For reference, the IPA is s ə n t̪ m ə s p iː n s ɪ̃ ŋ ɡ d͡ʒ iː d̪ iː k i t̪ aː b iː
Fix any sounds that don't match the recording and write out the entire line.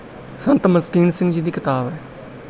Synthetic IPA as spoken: s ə n t̪ m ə s k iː n s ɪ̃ ŋ ɡ d͡ʒ iː d̪ iː k ɪ t̪ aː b ɛː